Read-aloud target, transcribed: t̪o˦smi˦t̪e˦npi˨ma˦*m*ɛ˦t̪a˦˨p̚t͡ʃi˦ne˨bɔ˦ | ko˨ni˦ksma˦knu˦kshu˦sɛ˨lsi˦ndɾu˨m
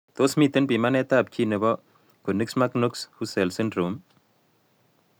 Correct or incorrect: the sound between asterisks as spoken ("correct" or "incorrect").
incorrect